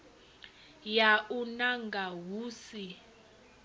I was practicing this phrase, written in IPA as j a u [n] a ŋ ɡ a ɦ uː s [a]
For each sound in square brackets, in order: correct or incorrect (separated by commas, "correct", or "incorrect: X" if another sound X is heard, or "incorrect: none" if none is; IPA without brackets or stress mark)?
correct, incorrect: i